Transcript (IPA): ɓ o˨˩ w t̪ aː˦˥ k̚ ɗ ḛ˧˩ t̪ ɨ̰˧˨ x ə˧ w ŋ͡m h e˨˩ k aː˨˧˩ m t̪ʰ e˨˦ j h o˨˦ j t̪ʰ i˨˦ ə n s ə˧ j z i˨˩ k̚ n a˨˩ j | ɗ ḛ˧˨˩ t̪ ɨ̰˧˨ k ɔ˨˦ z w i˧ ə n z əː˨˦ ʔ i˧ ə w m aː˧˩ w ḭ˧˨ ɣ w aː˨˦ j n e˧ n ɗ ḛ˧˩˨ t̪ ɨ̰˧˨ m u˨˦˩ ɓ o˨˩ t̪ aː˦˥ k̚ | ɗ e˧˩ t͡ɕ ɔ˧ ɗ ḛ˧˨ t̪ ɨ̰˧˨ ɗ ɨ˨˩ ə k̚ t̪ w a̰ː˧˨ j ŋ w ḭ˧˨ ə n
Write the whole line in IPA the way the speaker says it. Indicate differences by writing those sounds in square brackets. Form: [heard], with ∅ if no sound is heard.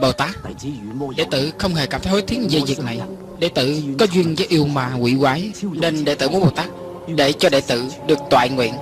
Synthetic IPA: ɓ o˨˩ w t̪ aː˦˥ k̚ ɗ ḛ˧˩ t̪ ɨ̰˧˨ x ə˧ w ŋ͡m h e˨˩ k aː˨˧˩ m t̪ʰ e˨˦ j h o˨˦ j t̪ʰ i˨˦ ə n [z] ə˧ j z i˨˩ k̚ n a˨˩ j | ɗ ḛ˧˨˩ t̪ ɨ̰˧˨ k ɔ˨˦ z w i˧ ə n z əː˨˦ ʔ i˧ ə w m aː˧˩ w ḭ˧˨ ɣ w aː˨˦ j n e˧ n ɗ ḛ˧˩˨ t̪ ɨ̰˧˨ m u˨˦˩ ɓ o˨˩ t̪ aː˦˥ k̚ | ɗ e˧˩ t͡ɕ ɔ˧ ɗ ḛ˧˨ t̪ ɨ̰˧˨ ɗ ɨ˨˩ ə k̚ t̪ w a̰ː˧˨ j ŋ w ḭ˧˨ ə n